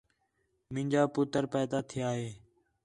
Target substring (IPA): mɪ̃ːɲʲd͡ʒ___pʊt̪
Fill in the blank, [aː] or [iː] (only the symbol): aː